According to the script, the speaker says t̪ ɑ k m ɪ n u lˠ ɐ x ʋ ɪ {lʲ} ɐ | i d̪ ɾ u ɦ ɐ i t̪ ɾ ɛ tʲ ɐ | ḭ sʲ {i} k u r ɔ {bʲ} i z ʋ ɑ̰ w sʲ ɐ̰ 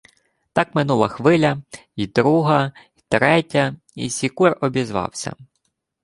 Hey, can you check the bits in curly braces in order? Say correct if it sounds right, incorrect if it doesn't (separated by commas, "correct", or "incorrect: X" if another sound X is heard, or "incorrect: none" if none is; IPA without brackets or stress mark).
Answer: correct, correct, correct